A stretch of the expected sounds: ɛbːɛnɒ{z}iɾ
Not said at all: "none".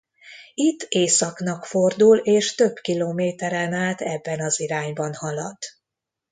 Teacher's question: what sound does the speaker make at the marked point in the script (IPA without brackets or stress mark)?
z